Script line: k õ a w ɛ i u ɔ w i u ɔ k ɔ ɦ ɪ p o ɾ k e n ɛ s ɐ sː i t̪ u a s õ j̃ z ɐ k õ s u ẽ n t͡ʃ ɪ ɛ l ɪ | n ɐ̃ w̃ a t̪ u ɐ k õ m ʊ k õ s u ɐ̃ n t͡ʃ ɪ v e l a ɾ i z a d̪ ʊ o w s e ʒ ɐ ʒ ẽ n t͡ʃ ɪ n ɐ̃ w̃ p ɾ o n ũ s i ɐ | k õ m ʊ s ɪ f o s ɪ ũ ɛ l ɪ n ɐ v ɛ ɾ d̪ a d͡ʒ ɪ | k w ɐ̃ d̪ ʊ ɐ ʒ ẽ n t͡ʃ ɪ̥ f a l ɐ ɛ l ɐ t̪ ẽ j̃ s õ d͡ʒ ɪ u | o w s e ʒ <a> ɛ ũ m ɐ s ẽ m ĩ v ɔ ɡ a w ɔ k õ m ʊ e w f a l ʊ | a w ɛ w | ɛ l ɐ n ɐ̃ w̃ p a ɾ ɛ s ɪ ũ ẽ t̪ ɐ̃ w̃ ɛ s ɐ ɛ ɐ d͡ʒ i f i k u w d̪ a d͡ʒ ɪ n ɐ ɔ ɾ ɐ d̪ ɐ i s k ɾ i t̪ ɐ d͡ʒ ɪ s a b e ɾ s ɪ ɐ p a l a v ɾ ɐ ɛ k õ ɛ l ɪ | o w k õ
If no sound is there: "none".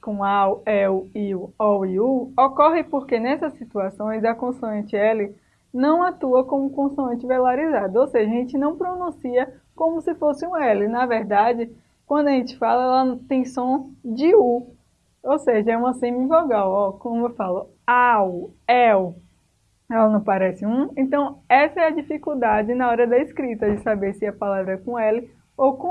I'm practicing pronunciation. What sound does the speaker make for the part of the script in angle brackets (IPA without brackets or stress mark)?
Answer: ɐ